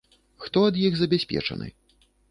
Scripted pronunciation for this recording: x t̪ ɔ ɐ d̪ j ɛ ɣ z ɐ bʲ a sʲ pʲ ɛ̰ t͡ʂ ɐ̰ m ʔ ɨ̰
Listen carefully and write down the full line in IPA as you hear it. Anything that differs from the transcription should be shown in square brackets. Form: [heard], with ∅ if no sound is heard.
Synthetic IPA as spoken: x t̪ ɔ ɐ d̪ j [i] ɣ z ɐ bʲ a sʲ pʲ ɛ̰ t͡ʂ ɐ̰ [n] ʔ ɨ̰

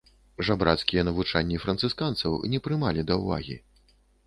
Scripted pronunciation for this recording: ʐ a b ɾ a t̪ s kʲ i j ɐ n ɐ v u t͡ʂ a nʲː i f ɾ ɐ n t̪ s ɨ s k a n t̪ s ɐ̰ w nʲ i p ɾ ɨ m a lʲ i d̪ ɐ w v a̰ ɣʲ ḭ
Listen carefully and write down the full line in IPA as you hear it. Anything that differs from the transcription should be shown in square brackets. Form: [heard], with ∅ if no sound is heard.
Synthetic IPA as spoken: ʐ a b ɾ a t̪ s kʲ i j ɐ n ɐ v u t͡ʂ a nʲː i f ɾ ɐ n t̪ s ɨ s k a n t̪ s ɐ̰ w nʲ [ɛ] p ɾ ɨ m a lʲ i d̪ ɐ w v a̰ ɣʲ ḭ

